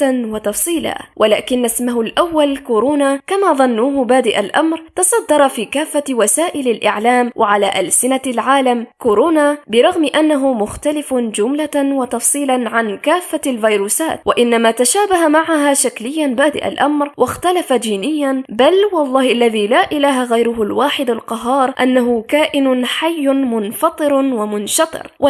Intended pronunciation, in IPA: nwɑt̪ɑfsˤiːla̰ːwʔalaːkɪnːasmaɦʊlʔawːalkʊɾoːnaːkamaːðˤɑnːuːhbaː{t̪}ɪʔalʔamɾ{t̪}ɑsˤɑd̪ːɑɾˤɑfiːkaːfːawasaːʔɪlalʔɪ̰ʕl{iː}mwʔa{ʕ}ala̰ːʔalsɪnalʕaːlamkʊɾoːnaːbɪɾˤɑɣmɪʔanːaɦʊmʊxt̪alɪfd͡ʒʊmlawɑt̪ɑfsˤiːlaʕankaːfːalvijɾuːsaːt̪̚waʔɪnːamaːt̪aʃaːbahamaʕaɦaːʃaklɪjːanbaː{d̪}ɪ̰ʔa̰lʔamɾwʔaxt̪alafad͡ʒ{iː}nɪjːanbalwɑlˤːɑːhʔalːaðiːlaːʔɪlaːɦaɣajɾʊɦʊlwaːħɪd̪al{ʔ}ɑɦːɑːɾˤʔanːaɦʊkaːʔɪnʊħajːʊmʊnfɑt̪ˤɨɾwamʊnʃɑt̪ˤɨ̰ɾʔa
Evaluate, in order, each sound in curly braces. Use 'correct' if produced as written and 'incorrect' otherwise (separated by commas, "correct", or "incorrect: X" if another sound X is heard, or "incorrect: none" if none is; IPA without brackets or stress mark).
incorrect: d̪, correct, incorrect: aː, correct, correct, correct, incorrect: q